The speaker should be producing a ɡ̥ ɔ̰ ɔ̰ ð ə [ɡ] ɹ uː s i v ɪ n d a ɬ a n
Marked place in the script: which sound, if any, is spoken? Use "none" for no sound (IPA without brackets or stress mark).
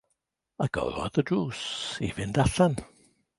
d